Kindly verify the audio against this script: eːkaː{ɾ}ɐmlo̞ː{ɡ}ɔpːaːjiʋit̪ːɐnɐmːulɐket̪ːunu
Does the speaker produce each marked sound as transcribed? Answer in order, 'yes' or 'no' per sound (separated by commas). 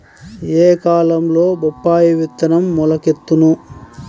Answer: no, no